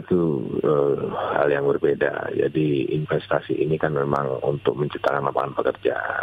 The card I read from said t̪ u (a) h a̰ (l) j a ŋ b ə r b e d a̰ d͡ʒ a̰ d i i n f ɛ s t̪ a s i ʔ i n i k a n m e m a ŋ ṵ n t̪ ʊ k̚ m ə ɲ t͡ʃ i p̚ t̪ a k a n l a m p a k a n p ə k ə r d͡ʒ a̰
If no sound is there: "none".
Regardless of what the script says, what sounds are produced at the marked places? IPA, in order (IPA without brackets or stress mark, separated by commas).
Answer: ə, l